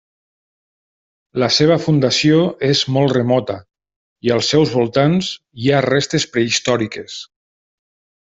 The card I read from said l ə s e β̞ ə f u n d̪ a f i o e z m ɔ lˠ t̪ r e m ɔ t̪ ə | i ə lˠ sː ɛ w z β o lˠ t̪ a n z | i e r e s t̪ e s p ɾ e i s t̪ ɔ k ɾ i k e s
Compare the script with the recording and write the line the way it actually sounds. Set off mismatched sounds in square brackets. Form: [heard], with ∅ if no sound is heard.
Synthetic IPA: l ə s e β̞ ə f u n d̪ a [s] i o e z m ɔ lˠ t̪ r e m ɔ t̪ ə | i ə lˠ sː ɛ w z β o lˠ t̪ a n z | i [a] r e s t̪ e s p ɾ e i s t̪ ɔ [∅] ɾ i k e s